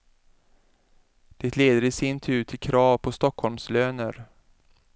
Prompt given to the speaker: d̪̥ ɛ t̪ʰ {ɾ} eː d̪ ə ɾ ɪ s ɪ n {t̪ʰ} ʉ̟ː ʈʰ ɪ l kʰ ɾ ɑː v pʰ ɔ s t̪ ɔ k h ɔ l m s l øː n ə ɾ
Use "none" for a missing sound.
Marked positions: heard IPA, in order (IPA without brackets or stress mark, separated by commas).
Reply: l, t̪ʰ